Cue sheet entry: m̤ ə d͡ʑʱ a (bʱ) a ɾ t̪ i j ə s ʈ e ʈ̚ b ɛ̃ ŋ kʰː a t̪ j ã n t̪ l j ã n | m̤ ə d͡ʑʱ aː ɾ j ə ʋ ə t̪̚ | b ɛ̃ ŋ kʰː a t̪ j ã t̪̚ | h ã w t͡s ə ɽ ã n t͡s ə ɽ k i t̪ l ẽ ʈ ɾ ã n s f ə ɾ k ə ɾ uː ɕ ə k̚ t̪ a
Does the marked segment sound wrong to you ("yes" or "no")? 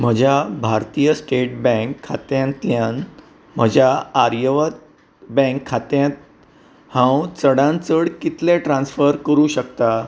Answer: no